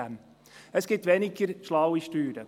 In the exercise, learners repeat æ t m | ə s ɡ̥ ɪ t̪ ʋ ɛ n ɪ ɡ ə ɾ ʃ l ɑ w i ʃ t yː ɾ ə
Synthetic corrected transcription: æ m | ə s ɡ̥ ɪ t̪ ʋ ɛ n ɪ ɡ ə ɾ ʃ l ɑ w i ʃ t yː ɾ ə

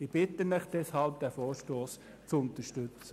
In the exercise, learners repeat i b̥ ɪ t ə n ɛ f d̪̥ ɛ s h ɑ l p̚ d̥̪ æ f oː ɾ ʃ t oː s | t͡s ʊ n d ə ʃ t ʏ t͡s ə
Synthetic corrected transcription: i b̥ ɪ t ə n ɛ χ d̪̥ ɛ s h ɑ l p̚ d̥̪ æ f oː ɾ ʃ t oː s | t͡s ʊ n t ə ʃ t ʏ t͡s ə

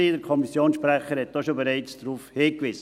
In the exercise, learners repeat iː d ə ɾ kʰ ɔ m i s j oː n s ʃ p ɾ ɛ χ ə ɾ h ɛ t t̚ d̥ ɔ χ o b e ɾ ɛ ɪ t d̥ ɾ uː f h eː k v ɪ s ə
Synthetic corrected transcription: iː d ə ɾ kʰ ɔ m i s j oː n s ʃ p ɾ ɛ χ ə ɾ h ɛ t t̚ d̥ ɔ ʃ o b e ɾ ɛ ɪ t͡s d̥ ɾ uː f h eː k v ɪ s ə

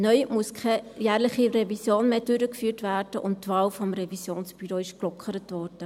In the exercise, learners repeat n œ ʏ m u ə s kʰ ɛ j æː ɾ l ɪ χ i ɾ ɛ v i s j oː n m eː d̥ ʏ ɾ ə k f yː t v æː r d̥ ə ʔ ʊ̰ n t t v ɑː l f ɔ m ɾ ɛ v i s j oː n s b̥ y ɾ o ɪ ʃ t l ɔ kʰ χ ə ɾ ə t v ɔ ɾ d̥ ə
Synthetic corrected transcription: n œ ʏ m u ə s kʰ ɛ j æː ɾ l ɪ χ i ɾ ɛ v i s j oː n m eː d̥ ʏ ɾ ə k f yː t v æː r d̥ ə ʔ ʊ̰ n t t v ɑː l f ɔ m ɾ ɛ v i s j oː n s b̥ y ɾ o ɪ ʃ k l ɔ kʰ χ ə ɾ ə t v ɔ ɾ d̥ ə

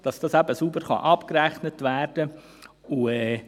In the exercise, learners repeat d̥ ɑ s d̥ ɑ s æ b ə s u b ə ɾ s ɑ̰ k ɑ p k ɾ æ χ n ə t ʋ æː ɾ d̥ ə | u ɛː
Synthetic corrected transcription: d̥ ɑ s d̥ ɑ s æ b ə s u b ə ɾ χ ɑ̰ ʔ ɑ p k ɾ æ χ n ə t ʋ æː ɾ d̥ ə | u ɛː

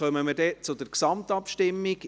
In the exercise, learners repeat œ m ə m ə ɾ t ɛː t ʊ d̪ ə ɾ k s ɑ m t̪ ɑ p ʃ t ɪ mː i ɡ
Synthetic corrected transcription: œ m ə m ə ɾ d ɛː t͡s ʊ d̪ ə ɾ k s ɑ m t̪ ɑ p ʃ t ɪ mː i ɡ

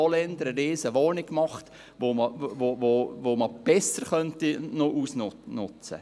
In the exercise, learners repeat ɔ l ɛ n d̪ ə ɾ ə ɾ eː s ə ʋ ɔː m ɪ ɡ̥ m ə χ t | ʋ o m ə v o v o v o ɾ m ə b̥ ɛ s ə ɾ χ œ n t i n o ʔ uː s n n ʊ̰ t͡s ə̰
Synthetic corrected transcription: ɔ l ɛ n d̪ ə ɾ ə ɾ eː s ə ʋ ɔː n ɪ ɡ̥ m ɑ χ t | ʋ o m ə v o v o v o m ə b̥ ɛ s ə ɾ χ œ n t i n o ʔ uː s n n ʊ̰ t͡s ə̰

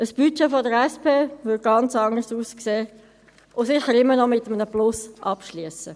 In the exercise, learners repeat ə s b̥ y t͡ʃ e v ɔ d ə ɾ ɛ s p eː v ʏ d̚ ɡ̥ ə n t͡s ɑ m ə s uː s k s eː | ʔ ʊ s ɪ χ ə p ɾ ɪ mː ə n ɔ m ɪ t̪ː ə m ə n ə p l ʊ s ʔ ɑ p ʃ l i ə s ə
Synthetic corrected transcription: ə s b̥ y t͡ʃ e f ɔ d ə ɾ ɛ s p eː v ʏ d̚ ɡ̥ ɑ n t͡s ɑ ŋ ə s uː s k s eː | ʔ ʊ s ɪ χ ə ɾ ɪ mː ə n ɔ m ɪ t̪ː ə m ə n ə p l ʊ s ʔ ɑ p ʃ l i ə s ə

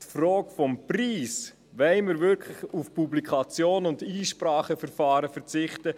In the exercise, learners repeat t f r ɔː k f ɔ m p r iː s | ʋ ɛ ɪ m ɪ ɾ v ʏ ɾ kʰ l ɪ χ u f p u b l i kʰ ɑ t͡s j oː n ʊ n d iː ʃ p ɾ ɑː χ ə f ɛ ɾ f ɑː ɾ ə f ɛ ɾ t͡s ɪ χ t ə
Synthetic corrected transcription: t f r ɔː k f ɔ m p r iː s | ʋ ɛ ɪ m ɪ ɾ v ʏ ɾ kʰ l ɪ χ u f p u b l i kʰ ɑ t͡s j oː n ʊ n d iː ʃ p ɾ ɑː χ ə f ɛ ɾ f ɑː ɾ ə f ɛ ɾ t͡s ɪ χ t ə

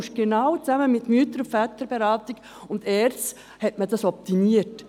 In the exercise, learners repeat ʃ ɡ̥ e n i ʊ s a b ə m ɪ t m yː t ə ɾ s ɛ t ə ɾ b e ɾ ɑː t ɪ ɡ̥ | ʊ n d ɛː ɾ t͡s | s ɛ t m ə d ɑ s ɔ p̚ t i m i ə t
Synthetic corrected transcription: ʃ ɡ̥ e n a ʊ t͡s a m ə m ɪ t m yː t ə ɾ f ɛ t ə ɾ b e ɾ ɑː t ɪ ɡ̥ | ʊ n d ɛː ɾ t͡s | h ɛ t m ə d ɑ s ɔ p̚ t i m i ə t

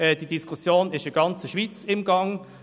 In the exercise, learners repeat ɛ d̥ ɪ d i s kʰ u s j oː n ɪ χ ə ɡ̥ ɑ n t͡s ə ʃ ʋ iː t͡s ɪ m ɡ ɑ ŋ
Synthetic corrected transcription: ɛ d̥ i d i s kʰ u s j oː n ɪ ʃ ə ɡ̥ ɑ n t͡s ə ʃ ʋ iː t͡s ɪ m ɡ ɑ ŋ

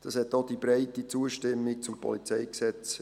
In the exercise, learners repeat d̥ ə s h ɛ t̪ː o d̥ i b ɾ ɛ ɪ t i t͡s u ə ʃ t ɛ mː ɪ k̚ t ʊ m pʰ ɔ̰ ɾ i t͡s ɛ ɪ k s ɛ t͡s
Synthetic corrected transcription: d̥ ɑ s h ɛ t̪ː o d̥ i b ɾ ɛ ɪ t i t͡s u ə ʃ t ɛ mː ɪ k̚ t͡s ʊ m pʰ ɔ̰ l i t͡s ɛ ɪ k s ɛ t͡s

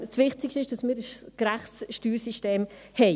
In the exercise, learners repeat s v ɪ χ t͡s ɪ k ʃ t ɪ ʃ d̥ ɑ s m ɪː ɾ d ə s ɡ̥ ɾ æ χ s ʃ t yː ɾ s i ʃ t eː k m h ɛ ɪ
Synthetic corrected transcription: s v ɪ χ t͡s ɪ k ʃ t ɪ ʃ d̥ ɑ s m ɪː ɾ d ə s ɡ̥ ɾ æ χ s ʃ t yː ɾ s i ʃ t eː m h ɛ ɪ

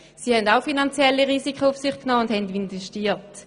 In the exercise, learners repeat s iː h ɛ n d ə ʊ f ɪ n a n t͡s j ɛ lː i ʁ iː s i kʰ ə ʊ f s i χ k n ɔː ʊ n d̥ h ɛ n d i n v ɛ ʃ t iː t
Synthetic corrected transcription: s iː h ɛ n d a ʊ f i n a n t͡s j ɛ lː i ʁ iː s i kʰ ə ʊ f s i χ k n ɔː ʊ n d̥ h ɛ n d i n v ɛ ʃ t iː t

